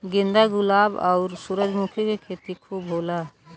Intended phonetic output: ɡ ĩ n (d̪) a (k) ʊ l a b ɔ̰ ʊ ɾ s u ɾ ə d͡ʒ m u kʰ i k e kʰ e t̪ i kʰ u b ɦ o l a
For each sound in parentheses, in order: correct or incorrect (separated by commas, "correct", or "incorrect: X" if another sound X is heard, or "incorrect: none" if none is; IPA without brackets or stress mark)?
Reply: correct, incorrect: ɡ